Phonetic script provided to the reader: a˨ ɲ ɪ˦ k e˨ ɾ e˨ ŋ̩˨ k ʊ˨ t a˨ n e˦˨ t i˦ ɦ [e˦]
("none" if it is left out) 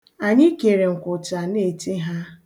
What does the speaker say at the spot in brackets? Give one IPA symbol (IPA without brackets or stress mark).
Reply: a˦